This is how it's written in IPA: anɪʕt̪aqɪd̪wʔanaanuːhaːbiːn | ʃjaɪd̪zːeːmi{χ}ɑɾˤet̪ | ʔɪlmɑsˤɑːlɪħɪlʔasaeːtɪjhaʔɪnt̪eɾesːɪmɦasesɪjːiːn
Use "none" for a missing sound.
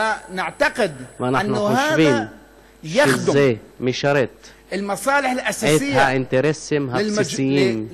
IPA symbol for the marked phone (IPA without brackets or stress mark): ʃ